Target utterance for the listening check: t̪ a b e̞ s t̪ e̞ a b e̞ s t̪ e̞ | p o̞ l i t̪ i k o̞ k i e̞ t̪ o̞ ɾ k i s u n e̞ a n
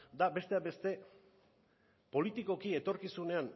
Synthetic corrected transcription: d̪ a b e̞ s t̪ e̞ a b e̞ s t̪ e̞ | p o̞ l i t̪ i k o̞ k i e̞ t̪ o̞ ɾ k i s u n e̞ a n

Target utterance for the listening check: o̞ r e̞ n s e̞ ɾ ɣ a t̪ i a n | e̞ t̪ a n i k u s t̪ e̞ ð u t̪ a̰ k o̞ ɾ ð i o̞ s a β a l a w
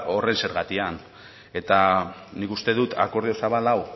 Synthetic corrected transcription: o̞ r e̞ n s e̞ ɾ ɣ a t̪ i a n | e̞ t̪ a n i k u s t̪ e̞ ð u t̪ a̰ k o̞ ɾ ð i o̞ s a β a l a w

